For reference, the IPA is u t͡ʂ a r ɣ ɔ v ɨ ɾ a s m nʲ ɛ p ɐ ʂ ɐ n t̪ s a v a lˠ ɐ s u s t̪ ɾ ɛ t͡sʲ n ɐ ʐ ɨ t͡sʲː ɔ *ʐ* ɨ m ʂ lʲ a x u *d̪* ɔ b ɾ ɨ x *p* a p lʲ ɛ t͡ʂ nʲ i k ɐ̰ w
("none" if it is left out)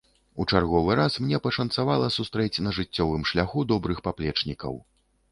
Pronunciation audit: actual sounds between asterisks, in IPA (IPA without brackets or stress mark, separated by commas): v, d̪, p